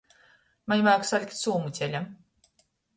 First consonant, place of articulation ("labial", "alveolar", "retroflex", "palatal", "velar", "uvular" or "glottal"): labial